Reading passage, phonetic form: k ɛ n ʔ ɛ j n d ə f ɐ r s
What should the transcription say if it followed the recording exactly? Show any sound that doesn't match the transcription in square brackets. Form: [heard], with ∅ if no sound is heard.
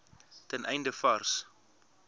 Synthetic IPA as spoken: [t] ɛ n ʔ ɛ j n d ə f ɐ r s